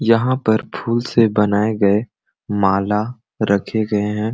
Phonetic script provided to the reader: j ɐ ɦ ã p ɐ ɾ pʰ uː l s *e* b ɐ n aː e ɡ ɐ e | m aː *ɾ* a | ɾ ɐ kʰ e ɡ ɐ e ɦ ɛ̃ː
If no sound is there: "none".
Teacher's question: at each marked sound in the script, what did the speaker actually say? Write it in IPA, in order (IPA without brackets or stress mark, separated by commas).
e, l